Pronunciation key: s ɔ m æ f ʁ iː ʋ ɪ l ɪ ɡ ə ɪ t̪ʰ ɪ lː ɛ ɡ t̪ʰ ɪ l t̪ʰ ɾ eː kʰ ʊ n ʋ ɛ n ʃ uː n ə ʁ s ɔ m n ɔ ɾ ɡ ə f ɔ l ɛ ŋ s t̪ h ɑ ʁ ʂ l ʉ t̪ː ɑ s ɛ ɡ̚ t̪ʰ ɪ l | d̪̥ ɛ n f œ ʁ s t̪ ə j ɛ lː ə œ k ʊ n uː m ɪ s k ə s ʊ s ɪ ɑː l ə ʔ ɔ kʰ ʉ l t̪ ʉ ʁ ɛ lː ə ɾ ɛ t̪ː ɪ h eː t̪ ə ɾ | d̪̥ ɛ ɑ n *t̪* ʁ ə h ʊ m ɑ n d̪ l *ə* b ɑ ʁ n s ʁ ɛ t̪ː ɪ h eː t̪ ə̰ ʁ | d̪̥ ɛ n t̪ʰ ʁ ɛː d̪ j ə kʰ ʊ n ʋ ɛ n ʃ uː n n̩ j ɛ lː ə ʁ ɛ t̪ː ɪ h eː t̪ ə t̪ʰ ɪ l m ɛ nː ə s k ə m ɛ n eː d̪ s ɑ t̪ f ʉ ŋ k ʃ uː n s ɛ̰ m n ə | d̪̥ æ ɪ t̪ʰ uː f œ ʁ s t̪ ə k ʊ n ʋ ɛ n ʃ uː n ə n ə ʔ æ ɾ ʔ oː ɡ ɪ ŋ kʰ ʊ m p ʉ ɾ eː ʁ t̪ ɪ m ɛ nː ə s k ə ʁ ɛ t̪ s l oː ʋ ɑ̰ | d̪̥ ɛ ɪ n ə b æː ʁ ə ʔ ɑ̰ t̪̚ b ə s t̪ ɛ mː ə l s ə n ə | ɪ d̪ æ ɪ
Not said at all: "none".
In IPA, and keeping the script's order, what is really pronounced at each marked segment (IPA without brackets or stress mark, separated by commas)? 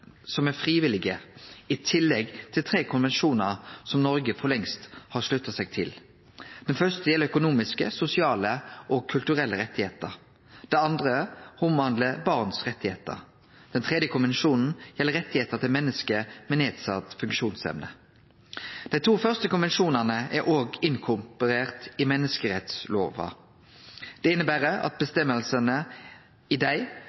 d̪, ə